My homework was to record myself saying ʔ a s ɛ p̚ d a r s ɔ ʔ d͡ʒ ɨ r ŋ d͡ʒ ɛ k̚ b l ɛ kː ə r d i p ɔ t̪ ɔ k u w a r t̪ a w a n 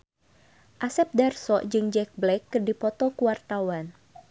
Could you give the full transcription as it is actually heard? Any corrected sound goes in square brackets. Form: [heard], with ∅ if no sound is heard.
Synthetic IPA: ʔ a s ɛ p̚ d a r s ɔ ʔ d͡ʒ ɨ [∅] ŋ d͡ʒ ɛ k̚ b l ɛ kː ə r d i p ɔ t̪ ɔ k u w a r t̪ a w a n